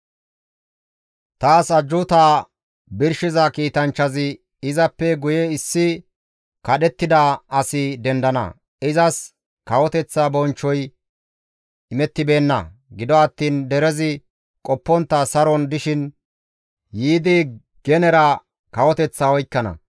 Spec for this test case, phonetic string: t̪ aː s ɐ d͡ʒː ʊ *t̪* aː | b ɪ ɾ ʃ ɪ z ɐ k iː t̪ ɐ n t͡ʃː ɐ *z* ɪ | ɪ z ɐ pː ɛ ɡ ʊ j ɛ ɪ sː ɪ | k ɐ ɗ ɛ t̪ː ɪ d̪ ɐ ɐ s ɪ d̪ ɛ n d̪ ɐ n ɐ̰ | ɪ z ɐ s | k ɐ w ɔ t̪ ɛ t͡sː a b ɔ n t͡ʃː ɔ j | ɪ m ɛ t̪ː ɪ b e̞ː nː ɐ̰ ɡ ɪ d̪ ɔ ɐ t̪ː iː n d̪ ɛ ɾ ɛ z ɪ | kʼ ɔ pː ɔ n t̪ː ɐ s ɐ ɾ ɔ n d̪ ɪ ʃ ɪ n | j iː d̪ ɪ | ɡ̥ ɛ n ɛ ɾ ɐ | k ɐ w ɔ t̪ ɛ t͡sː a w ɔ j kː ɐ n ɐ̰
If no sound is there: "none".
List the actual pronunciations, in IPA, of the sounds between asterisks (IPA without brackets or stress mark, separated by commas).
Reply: t̪, z